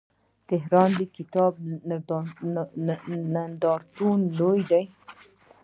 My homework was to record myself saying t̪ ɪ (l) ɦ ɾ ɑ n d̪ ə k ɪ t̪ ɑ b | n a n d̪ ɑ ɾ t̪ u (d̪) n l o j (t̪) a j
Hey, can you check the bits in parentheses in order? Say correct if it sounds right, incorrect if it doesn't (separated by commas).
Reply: incorrect, incorrect, incorrect